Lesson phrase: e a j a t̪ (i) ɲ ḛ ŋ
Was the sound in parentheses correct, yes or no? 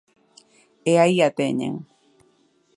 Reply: no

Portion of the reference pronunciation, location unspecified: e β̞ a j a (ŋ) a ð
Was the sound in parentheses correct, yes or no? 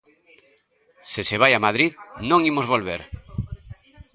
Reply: no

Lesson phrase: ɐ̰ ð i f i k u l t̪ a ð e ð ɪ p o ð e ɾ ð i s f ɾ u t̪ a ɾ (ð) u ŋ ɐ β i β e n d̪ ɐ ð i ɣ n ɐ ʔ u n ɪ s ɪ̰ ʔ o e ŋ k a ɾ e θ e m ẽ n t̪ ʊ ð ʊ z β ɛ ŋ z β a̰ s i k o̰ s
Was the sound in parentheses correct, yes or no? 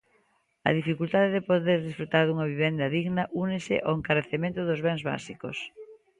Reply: yes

